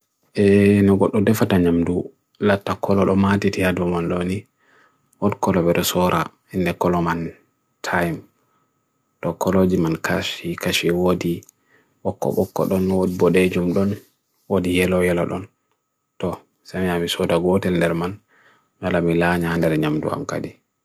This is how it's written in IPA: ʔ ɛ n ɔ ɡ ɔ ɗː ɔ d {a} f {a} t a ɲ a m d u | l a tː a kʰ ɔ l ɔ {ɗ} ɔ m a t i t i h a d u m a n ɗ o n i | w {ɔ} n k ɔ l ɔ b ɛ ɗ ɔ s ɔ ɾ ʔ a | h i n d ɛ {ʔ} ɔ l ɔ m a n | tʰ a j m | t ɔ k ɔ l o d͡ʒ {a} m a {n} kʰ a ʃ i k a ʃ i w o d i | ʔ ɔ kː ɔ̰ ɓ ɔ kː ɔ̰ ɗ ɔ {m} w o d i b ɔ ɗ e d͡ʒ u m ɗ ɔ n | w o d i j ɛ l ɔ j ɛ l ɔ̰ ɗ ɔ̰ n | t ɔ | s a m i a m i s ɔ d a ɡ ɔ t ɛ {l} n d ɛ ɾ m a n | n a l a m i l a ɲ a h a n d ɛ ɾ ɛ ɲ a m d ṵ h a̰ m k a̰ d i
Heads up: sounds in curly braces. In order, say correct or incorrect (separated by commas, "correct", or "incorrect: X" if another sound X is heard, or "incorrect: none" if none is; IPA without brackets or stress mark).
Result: incorrect: ɛ, correct, correct, correct, incorrect: k, incorrect: i, correct, incorrect: n, correct